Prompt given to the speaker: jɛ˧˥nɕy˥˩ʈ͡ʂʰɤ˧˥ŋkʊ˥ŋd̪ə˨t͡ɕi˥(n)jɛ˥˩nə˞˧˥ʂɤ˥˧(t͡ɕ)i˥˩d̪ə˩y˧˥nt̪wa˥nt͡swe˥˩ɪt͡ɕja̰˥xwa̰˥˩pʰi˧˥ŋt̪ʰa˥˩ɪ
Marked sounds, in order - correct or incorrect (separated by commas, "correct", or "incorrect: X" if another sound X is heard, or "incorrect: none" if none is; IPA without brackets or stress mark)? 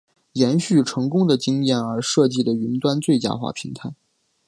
incorrect: ŋ, correct